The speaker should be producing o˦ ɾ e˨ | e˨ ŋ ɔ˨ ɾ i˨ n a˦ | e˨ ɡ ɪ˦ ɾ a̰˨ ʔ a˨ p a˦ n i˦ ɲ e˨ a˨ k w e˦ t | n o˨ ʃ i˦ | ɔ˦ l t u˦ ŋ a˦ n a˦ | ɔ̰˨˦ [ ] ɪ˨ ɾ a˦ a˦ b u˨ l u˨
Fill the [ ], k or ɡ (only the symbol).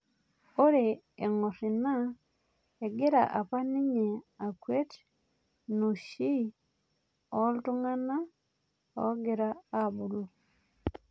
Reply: ɡ